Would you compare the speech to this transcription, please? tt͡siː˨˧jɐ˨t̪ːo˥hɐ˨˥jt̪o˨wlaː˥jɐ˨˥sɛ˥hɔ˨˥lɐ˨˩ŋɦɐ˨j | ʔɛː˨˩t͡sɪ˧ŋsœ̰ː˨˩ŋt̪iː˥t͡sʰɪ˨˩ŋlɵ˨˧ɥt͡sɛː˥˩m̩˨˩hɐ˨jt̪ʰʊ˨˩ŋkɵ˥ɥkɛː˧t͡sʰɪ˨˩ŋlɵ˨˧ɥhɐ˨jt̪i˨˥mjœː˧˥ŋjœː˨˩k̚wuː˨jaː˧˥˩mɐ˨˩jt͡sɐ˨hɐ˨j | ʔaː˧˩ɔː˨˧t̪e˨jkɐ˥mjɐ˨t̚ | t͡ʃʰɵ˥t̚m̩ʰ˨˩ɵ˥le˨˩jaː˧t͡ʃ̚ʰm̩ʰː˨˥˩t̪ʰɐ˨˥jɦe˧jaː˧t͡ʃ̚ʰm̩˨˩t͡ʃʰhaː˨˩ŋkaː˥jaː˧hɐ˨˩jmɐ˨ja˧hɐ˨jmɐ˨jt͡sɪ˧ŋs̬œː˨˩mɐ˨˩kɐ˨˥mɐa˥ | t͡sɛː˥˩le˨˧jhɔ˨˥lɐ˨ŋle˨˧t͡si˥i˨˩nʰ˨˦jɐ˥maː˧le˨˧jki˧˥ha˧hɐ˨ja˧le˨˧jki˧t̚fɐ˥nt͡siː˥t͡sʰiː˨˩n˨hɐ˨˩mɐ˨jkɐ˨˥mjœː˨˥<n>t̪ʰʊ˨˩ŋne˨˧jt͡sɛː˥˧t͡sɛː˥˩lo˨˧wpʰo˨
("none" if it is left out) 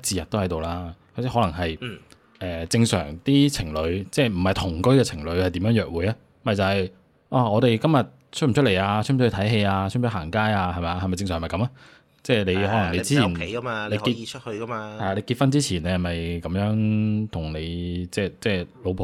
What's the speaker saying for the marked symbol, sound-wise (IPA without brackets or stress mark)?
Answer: ŋ